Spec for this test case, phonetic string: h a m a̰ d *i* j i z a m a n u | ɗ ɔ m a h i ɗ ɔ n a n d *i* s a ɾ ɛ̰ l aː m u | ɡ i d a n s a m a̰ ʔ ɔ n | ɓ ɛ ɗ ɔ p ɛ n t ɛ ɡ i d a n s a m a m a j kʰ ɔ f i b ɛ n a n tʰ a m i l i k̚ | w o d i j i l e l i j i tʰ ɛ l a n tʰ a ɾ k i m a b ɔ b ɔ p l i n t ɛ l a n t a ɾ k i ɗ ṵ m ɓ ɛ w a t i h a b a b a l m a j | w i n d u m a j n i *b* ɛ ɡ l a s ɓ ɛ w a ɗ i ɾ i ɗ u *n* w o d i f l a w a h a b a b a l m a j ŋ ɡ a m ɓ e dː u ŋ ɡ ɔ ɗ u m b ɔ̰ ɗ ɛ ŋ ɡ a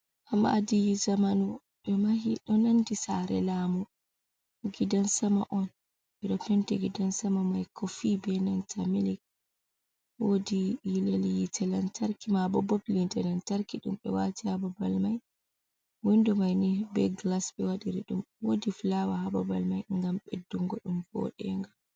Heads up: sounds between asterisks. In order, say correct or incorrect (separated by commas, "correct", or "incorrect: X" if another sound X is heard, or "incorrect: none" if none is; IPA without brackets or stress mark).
correct, correct, correct, incorrect: m